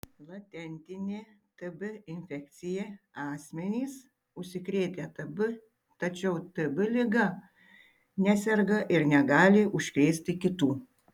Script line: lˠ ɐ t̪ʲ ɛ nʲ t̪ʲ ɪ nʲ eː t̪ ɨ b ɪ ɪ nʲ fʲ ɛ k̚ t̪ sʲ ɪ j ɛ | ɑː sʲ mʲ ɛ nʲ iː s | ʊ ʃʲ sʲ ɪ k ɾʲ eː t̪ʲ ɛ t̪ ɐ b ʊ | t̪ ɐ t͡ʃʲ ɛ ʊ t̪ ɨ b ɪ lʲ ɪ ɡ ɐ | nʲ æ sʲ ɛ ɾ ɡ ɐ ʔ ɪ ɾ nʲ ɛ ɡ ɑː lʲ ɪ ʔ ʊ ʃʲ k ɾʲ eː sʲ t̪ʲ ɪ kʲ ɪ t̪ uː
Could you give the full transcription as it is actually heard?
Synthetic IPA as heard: lˠ ɐ t̪ʲ ɛ nʲ t̪ʲ ɪ nʲ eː t̪ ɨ b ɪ ɪ nʲ fʲ ɛ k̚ t̪ sʲ ɪ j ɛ | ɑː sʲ mʲ ɛ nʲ iː s | ʊ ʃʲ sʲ ɪ k ɾʲ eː t̪ʲ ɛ t̪ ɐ b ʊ | t̪ ɐ t͡ʃʲ ɛ ʊ t̪ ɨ b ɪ lʲ ɪ ɡ ɐ | nʲ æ sʲ ɛ ɾ ɡ ɐ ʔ ɪ ɾ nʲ ɛ ɡ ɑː lʲ ɪ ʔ ʊ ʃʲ k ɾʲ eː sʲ t̪ʲ ɪ kʲ ɪ t̪ uː